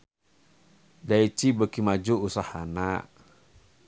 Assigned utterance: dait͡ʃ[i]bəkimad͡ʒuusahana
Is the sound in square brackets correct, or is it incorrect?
correct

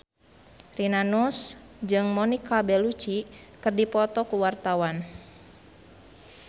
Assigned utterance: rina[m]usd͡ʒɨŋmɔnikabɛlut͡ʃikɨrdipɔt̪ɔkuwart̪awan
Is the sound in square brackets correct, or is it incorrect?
incorrect: n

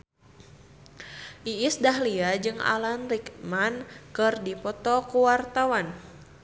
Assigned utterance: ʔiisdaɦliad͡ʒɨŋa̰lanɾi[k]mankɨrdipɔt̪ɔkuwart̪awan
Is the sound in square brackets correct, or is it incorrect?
correct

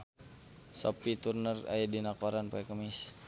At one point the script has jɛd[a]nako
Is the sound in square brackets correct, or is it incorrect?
incorrect: i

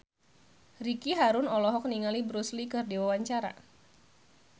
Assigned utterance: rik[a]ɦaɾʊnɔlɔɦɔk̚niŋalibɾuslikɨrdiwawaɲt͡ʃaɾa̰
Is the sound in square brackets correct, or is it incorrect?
incorrect: i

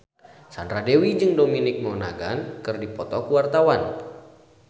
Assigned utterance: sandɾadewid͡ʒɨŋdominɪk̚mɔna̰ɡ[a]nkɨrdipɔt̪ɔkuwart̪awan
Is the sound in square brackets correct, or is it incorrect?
correct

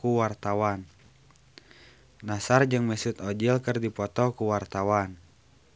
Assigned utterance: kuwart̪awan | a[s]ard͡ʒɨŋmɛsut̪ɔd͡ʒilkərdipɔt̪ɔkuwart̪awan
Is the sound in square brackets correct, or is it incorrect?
correct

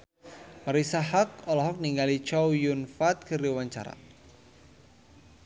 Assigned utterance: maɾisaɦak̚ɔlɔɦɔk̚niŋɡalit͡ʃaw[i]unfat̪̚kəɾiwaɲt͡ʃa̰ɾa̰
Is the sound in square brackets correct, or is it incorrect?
incorrect: j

